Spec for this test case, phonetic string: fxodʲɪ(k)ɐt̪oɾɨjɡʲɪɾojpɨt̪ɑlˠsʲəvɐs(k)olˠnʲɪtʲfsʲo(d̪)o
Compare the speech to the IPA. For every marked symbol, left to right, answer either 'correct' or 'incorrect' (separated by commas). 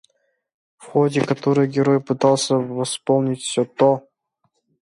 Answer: correct, incorrect, incorrect